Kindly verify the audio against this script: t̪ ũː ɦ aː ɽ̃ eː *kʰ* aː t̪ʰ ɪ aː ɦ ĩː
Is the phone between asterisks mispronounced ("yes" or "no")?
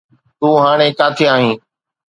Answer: yes